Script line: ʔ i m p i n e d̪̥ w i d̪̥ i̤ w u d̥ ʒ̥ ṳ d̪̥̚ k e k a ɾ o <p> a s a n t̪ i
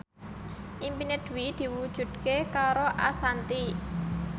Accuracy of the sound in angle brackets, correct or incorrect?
incorrect: ʔ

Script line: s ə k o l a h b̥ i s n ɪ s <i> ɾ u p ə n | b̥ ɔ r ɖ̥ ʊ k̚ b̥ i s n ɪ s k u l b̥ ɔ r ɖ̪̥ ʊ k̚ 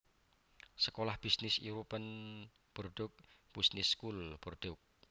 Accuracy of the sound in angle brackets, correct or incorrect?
correct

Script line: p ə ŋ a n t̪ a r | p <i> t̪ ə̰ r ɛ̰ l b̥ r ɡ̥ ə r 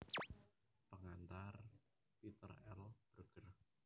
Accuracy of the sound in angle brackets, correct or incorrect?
correct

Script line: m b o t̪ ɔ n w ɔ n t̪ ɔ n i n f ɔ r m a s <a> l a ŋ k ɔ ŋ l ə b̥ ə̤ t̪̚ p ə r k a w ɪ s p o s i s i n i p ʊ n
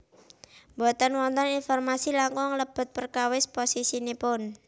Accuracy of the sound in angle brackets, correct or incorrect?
incorrect: i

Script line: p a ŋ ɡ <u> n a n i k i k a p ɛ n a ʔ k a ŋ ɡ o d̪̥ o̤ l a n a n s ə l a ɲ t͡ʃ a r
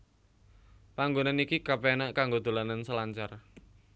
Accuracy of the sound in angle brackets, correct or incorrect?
incorrect: o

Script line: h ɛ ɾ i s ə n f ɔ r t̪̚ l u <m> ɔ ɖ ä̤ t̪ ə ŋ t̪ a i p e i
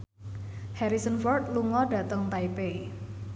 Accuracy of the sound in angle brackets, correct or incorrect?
incorrect: ŋ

